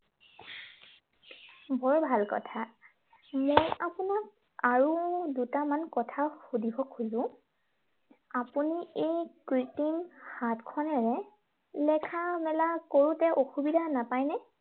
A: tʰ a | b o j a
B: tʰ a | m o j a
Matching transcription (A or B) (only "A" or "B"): B